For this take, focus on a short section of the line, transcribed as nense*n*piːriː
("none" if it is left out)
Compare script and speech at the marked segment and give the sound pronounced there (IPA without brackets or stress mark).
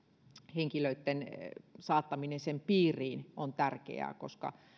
m